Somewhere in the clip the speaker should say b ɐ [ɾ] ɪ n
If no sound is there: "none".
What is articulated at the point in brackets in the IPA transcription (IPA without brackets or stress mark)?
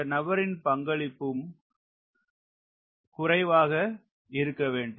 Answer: ɾ